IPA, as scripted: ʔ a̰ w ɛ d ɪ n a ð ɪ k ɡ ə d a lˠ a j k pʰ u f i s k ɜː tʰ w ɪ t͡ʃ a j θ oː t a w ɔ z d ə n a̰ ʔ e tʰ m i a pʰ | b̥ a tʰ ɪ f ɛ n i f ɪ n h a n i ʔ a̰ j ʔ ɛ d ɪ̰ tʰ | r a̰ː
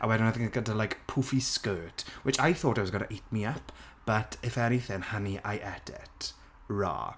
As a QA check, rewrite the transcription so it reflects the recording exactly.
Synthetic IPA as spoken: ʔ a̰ w ɛ d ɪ n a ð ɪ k ɡ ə d a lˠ a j k pʰ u f i s k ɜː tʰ w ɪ t͡ʃ a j θ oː t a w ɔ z ɡ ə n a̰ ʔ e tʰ m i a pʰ | b̥ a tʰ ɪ f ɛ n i θ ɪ n h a n i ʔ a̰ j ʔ ɛ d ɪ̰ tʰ | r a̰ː